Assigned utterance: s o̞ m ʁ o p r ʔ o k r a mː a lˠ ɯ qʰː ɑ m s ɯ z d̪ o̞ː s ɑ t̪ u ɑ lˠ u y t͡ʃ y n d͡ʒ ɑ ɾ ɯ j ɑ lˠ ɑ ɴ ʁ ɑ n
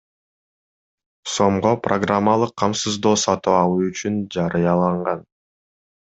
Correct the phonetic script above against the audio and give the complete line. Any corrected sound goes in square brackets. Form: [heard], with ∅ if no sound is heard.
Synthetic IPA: s o̞ m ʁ o p r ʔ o [ɡ] r a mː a lˠ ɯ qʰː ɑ m s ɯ z d̪ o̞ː s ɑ t̪ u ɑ lˠ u y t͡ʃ y n d͡ʒ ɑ ɾ ɯ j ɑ lˠ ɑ ɴ ʁ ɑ n